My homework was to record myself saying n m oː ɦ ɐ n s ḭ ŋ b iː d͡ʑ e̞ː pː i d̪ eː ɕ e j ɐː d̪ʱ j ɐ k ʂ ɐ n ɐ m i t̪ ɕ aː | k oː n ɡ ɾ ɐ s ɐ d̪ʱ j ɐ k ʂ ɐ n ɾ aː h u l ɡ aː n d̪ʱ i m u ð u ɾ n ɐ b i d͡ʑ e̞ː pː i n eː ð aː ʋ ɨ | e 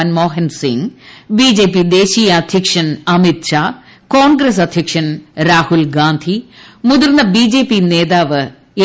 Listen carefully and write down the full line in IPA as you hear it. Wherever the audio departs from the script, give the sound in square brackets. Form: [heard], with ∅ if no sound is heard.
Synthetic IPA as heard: n m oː ɦ ɐ n s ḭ ŋ b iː d͡ʑ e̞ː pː i d̪ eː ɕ [i] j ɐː d̪ʱ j ɐ k ʂ ɐ n ɐ m i t̪ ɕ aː | k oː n ɡ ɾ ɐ s ɐ d̪ʱ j ɐ k ʂ ɐ n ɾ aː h u l ɡ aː n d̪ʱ i m u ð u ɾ n ɐ b i d͡ʑ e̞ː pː i n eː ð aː ʋ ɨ | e